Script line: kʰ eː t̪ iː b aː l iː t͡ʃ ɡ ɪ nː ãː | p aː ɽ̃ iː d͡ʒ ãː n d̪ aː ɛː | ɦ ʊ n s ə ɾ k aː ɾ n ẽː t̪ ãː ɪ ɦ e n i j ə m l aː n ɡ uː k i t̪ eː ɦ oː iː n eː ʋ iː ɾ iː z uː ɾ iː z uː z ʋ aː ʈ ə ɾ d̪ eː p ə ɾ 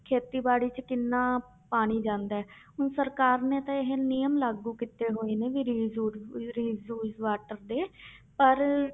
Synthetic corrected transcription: kʰ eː t̪ iː b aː ɽ iː t͡ʃ k ɪ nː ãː | p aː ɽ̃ iː d͡ʒ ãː n d̪ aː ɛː | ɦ ʊ n s ə ɾ k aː ɾ n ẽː t̪ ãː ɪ ɦ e n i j ə m l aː ɡ uː k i t̪ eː ɦ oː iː n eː ʋ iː ɾ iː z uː ɾ iː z uː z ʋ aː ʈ ə ɾ d̪ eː p ə ɾ